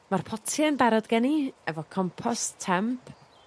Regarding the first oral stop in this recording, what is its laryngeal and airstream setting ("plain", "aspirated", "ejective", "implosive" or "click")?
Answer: aspirated